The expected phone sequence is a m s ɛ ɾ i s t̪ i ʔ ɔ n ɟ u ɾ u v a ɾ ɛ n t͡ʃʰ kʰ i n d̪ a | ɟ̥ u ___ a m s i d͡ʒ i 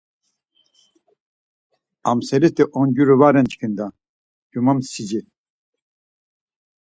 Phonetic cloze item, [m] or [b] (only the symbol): m